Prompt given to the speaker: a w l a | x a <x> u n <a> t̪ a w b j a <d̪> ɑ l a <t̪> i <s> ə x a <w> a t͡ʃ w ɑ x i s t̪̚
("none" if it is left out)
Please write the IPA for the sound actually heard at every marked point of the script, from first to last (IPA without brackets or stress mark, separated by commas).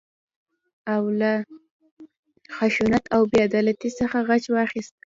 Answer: ʃ, a, d̪, t̪, s, ɣ